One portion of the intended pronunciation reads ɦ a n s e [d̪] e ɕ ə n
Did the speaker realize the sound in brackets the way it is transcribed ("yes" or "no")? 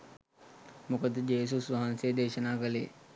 yes